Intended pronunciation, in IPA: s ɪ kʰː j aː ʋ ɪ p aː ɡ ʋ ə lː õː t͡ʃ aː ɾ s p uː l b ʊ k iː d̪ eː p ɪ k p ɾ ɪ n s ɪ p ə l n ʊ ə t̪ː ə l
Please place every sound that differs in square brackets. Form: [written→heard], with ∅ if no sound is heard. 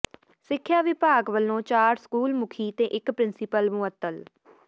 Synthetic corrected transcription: s ɪ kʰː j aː ʋ ɪ p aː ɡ ʋ ə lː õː t͡ʃ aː ɾ s [p→k] uː l [b→m] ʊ [k→kʰ] iː [d̪→t̪] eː [p→ʔ] ɪ k p ɾ ɪ n s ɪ p ə l [n→m] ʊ ə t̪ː ə l